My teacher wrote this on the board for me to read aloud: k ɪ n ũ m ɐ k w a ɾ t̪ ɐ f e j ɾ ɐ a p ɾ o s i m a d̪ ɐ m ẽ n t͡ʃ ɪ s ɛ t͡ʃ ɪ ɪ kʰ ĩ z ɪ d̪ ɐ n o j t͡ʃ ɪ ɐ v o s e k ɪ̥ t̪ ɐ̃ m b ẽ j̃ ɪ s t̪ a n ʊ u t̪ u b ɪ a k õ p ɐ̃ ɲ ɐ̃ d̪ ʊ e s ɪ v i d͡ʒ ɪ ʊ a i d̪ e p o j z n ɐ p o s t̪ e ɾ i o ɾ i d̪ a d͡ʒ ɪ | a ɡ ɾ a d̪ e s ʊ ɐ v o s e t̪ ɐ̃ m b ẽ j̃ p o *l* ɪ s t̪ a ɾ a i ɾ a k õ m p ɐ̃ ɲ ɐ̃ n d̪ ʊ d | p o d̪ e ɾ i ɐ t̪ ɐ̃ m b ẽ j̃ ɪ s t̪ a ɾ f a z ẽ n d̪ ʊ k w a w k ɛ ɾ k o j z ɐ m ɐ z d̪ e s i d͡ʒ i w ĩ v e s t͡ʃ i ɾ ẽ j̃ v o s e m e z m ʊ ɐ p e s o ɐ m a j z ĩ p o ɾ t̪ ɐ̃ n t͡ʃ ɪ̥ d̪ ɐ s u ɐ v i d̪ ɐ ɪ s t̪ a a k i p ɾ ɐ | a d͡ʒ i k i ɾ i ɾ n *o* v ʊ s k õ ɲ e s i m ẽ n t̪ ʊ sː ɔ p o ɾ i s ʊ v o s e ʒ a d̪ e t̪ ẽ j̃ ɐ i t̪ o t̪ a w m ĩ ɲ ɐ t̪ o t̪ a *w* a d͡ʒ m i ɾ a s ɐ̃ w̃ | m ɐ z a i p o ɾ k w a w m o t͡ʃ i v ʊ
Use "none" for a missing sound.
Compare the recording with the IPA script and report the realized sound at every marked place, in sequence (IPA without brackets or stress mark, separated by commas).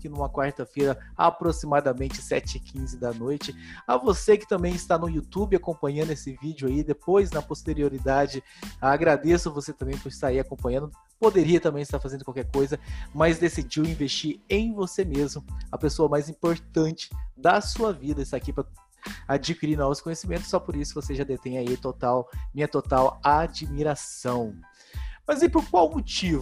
ɾ, ɔ, w